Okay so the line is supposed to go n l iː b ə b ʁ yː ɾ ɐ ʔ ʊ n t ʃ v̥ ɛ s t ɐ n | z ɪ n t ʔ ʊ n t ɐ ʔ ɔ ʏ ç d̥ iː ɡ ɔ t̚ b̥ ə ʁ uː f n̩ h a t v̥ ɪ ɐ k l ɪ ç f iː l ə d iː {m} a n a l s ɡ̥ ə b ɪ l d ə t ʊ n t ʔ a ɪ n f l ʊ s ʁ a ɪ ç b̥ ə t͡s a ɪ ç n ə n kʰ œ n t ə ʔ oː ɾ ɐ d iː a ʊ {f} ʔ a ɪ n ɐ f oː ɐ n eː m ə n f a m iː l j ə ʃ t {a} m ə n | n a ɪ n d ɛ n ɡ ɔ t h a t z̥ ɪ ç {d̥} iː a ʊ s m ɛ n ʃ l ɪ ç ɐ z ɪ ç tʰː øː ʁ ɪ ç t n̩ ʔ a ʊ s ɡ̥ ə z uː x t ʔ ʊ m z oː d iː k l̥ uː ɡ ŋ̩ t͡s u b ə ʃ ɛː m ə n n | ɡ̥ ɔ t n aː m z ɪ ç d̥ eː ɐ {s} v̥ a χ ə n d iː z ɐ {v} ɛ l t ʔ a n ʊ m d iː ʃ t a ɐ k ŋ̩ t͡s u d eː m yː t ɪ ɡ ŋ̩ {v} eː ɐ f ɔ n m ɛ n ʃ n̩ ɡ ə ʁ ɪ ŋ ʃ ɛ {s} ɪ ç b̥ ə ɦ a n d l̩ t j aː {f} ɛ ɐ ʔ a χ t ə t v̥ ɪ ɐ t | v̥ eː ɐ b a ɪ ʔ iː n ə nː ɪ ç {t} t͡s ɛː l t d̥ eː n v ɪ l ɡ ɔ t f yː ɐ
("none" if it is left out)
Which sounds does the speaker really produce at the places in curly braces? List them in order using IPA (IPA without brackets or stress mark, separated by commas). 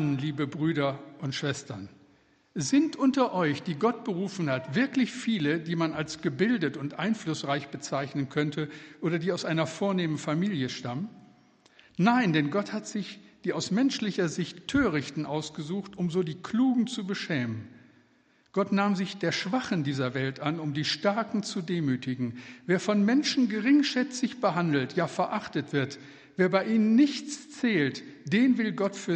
m, s, a, d̥, ʃ, v, v, t͡s, f, t͡s